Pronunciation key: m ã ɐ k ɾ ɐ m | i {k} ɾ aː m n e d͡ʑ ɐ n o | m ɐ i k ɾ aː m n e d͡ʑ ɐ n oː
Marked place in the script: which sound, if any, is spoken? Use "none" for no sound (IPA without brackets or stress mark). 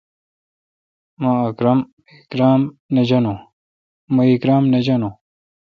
k